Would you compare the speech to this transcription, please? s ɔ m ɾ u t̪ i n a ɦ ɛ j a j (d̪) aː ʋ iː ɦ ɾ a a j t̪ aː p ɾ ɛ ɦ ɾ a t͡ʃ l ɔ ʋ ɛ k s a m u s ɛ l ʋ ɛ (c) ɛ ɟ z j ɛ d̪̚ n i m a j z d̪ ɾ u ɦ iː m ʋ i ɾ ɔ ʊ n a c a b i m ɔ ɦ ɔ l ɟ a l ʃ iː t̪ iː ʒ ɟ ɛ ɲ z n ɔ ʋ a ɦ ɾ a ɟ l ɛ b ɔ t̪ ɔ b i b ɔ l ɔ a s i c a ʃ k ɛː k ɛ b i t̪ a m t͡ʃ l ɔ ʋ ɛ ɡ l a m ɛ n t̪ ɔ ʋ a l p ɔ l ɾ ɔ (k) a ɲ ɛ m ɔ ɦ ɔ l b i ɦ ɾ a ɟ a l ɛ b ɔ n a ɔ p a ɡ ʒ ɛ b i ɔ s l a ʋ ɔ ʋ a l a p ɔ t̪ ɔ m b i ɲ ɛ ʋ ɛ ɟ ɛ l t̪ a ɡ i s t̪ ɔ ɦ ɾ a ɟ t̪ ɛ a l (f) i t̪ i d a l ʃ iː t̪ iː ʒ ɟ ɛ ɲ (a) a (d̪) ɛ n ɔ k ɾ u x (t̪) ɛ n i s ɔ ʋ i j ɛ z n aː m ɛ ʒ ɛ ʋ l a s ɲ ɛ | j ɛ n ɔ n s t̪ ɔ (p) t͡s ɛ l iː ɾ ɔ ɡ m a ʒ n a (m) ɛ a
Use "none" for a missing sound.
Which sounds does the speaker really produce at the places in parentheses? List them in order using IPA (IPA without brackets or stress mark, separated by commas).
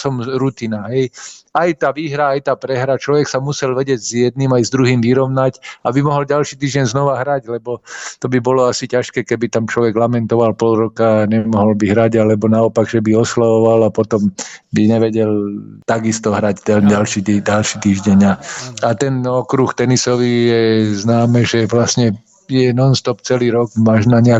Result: t̪, ɟ, k, ʃ, a, t̪, t̪, p, ɲ